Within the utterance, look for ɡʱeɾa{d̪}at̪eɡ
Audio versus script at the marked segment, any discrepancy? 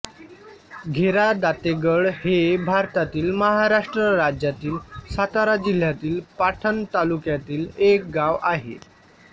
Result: no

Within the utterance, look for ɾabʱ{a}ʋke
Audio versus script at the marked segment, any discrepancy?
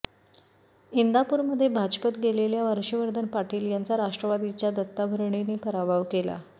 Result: no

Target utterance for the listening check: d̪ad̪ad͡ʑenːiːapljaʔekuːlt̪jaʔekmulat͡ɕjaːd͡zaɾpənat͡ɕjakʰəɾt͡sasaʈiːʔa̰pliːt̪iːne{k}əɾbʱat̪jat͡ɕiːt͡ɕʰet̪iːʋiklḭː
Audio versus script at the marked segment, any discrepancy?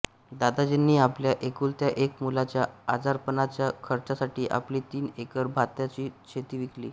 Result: no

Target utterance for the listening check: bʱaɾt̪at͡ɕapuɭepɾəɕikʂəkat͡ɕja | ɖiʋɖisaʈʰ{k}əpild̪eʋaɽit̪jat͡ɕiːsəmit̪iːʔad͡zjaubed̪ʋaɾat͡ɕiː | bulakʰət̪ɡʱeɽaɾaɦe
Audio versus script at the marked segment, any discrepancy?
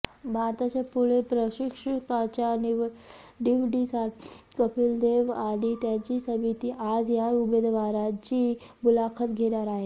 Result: no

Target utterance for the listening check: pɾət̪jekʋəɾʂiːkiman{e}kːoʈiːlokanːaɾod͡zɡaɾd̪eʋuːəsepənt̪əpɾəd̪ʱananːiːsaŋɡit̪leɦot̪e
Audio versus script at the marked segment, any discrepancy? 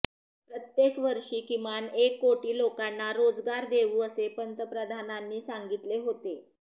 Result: no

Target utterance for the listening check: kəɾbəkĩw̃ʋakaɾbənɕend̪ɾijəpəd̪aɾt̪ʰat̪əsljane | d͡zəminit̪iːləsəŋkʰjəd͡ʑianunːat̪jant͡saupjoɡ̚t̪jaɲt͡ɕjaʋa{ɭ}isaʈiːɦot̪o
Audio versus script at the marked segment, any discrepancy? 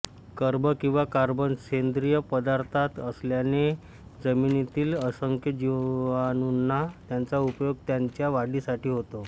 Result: yes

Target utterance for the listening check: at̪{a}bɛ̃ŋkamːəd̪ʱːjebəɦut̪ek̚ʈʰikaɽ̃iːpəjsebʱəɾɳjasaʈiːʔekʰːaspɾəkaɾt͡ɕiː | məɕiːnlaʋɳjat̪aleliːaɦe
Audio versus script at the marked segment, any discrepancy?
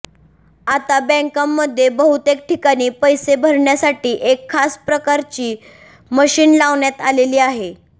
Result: no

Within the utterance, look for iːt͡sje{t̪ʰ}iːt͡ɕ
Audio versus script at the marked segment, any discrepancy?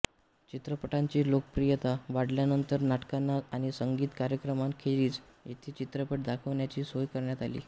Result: no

